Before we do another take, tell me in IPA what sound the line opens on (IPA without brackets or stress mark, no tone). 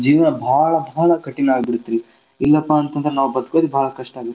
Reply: d͡ʒ